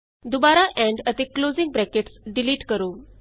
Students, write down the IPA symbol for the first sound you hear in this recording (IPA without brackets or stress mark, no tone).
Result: d̪